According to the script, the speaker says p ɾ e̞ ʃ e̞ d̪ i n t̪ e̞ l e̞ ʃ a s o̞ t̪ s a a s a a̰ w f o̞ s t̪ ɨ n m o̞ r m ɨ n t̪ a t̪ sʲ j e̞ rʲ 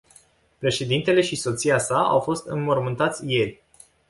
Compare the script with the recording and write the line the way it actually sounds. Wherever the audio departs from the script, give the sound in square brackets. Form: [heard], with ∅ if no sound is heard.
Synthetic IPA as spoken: p ɾ e̞ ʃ e̞ d̪ i n t̪ e̞ l e̞ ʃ [i] s o̞ t̪ s [i] a s a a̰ w f o̞ s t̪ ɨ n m o̞ r m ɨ n t̪ a t̪ sʲ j e̞ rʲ

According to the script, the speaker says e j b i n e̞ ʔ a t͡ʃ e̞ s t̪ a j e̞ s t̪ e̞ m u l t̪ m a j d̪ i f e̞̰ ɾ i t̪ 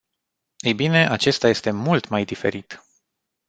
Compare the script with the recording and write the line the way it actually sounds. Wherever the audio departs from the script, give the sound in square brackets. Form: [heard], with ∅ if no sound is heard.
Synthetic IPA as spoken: e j b i n e̞ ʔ a t͡ʃ e̞ s t̪ a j e̞ s t̪ e̞ m u l t̪ m a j d̪ i f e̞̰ ɾ i t̪

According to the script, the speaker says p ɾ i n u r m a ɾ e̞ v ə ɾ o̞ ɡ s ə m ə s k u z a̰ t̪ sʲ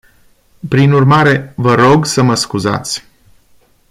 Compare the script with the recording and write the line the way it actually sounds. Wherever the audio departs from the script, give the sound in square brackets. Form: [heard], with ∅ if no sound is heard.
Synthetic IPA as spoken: p ɾ i n u r m a ɾ e̞ v ə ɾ o̞ ɡ s ə m ə s k u z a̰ t̪ sʲ

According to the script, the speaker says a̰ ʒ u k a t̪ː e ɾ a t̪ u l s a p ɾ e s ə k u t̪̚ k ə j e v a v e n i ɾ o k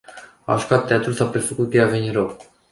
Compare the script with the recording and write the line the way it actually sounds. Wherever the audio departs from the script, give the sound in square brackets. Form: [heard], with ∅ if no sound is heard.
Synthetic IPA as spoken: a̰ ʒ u k a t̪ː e [∅] a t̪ u l s a p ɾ e [f] ə k u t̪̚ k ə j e [∅] a v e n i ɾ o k

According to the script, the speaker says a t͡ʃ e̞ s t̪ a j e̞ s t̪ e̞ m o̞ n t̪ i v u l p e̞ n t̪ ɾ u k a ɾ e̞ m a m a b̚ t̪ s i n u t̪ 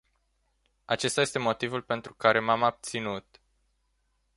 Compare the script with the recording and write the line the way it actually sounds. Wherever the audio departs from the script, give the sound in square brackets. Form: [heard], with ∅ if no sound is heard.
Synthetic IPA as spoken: a t͡ʃ e̞ s t̪ a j e̞ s t̪ e̞ m o̞ [∅] t̪ i v u l p e̞ n t̪ ɾ u k a ɾ e̞ m a m a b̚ t̪ s i n u t̪

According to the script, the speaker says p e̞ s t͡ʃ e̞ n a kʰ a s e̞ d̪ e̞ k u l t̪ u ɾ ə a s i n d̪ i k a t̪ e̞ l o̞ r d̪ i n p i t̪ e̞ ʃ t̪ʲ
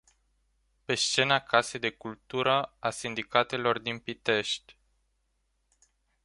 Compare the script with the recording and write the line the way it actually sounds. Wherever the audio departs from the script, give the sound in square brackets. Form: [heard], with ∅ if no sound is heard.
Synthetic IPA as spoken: p e̞ s t͡ʃ e̞ n a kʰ a s e̞ d̪ e̞ k u l t̪ u ɾ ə a s i n d̪ i k a t̪ e̞ l o̞ r d̪ i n p i t̪ e̞ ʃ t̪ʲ

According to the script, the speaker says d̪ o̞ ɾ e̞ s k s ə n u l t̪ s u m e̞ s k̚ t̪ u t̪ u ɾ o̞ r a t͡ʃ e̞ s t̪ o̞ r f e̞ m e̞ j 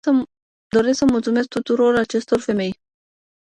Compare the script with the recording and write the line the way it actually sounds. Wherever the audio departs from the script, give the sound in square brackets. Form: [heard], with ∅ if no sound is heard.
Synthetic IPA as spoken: d̪ o̞ ɾ e̞ s k s ə [m] u l t̪ s u m e̞ s k̚ t̪ u t̪ u ɾ o̞ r a t͡ʃ e̞ s t̪ o̞ r f e̞ m e̞ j

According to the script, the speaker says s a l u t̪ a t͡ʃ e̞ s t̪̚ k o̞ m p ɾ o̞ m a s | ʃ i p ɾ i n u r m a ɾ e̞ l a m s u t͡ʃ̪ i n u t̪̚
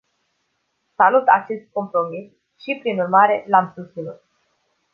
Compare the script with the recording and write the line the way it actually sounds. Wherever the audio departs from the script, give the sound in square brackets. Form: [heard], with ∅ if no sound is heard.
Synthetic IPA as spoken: s a l u t̪ a t͡ʃ e̞ s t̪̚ k o̞ m p ɾ o̞ m [i] s | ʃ i p ɾ i n u r m a ɾ e̞ l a m s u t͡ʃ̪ i n u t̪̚

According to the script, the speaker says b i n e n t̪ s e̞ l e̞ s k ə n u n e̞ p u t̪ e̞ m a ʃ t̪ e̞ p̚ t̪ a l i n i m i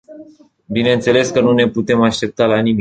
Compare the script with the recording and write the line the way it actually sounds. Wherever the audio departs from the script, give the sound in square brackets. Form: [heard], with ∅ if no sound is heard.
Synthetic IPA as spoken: b i n e n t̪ s e̞ l e̞ s k ə n u n e̞ p u t̪ e̞ m a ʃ t̪ e̞ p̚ t̪ a l [a] n i m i

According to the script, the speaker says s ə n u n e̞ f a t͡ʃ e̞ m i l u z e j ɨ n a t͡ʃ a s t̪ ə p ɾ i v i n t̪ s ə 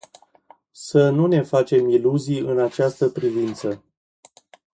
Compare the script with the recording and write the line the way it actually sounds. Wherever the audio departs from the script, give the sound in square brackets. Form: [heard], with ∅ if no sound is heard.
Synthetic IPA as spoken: s ə n u n e̞ f a t͡ʃ e̞ m i l u z [i] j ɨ n a t͡ʃ a s t̪ ə p ɾ i v i n t̪ s ə

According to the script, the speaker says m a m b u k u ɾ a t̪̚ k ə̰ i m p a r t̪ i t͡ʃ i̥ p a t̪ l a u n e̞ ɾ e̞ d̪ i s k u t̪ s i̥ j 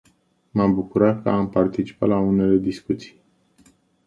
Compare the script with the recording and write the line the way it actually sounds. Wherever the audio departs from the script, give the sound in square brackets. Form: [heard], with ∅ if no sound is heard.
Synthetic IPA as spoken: m a m b u k u ɾ a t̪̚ k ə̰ [a] m p a r t̪ i t͡ʃ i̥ p a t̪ l a u n e̞ [l] e̞ d̪ i s k u t̪ s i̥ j

